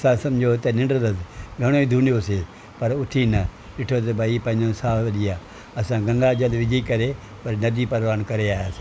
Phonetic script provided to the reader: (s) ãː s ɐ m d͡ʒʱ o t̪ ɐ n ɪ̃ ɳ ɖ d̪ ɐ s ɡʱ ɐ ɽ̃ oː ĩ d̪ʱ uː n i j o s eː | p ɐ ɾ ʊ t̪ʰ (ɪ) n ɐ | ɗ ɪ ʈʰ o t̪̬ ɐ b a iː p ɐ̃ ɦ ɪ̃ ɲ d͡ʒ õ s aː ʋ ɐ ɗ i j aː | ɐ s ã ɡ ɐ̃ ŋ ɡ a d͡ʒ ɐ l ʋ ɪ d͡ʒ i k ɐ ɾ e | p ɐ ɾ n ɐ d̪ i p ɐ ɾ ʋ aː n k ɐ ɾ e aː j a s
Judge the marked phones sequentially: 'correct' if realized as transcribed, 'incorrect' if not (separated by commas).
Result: correct, incorrect